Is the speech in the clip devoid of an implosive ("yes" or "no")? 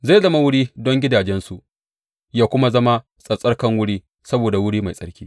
yes